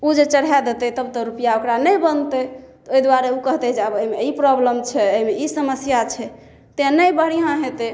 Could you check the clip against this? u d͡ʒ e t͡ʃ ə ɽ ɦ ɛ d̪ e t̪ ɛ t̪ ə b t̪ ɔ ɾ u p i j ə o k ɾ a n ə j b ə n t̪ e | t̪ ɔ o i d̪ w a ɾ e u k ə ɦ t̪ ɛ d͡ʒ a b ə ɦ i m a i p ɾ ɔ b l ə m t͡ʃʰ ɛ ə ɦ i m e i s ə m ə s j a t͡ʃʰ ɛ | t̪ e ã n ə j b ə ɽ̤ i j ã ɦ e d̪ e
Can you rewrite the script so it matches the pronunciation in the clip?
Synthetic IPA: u d͡ʒ e t͡ʃ ə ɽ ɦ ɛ d̪ e t̪ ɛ t̪ ə b t̪ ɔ ɾ u p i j a o k ɾ a n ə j b ə n t̪ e | t̪ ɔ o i d̪ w a ɾ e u k ə ɦ t̪ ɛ d͡ʒ a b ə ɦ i m e i p ɾ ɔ b l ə m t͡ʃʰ ɛ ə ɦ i m e i s ə m ə s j a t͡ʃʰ ɛ | t̪ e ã n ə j b ə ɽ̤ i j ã ɦ e t̪ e